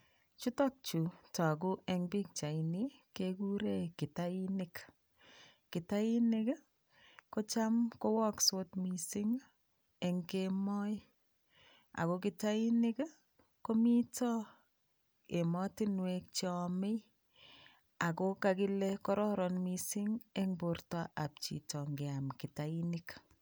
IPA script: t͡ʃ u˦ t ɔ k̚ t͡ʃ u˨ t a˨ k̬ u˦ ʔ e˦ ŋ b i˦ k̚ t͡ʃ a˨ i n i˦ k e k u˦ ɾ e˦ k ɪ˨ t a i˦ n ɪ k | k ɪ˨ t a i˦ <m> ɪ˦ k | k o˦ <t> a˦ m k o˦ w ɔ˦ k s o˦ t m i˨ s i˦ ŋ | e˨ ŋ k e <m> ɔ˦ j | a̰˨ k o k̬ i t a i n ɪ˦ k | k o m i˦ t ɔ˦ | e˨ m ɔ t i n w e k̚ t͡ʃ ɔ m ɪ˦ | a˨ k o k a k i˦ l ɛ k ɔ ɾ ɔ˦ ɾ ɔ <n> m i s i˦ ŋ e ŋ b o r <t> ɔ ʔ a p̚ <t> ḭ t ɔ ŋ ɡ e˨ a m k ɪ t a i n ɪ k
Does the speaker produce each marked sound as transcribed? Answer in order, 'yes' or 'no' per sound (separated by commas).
no, no, yes, yes, yes, no